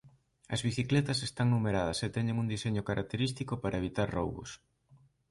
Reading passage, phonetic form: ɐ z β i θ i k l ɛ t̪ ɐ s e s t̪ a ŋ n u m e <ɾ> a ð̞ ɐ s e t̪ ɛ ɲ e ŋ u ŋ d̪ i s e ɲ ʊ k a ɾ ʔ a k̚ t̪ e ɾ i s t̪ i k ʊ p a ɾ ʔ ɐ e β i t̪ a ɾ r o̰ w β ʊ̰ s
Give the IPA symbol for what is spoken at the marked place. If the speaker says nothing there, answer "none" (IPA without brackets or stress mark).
ɾ